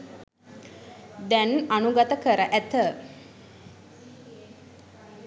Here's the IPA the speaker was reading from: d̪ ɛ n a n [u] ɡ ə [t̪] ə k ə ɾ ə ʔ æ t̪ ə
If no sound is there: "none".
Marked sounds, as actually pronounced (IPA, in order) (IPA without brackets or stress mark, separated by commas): u, t̪